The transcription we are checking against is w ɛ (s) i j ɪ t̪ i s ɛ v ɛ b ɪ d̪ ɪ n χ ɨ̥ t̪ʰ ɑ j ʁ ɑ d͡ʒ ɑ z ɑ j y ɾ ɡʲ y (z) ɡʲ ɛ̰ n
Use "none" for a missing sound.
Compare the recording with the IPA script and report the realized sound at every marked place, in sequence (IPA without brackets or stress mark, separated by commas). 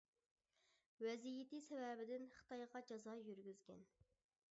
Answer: z, z